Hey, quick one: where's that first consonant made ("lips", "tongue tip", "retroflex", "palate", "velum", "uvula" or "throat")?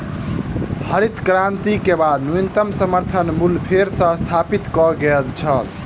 throat